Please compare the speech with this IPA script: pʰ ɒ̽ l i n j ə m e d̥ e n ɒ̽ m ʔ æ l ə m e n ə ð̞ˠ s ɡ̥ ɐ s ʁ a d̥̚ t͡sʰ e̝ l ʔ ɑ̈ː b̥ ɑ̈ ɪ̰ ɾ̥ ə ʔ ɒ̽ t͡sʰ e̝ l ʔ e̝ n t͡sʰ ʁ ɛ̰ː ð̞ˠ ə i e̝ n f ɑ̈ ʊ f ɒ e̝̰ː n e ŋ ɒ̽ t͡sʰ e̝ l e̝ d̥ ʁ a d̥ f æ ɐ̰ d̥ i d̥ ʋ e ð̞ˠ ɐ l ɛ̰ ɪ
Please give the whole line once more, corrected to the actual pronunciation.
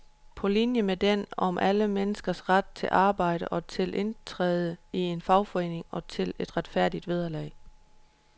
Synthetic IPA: pʰ ɒ̽ l i n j ə m e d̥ e n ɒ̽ m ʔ æ l ə m e n ə s ɡ̥ ɐ s ʁ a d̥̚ t͡sʰ e̝ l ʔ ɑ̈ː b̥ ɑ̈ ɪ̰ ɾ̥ ə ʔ ɒ̽ t͡sʰ e̝ l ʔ e̝ n t͡sʰ ʁ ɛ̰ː ð̞ˠ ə i e̝ n f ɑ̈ ʊ f ɒ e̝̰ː n e ŋ ɒ̽ t͡sʰ e̝ l e̝ d̥ ʁ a d̥ f æ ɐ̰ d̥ i d̥ ʋ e ð̞ˠ ɐ l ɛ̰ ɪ